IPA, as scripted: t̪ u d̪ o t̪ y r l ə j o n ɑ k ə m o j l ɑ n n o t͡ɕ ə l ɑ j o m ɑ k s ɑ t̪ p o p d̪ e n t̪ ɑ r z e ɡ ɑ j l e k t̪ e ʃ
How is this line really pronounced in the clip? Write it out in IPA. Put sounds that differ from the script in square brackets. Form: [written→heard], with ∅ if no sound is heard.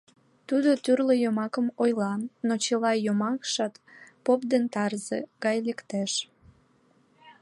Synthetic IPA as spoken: t̪ u d̪ o t̪ y r l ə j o [n→m] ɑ k ə m o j l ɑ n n o t͡ɕ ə l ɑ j o m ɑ k [s→ʃ] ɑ t̪ p o p d̪ e n t̪ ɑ r z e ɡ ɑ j l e k t̪ e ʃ